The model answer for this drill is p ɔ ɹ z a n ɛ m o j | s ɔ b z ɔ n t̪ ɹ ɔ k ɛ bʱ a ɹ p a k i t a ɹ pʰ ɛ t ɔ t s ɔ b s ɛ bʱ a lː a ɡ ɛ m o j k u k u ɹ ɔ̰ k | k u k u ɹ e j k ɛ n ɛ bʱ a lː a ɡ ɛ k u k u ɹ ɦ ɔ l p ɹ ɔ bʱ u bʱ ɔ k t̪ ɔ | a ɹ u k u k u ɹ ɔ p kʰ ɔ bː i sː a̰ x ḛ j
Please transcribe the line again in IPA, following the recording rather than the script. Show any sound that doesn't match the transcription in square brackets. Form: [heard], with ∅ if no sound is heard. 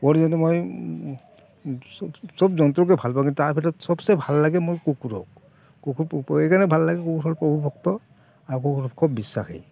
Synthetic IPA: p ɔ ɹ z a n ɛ m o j | s ɔ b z ɔ n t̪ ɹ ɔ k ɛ bʱ a [l] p a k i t a ɹ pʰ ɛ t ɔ t s ɔ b s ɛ bʱ a lː a ɡ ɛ m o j k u k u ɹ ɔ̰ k | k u k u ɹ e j k [a] n ɛ bʱ a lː a ɡ ɛ k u k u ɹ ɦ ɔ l p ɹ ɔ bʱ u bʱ ɔ k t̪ ɔ | a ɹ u k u k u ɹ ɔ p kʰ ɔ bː i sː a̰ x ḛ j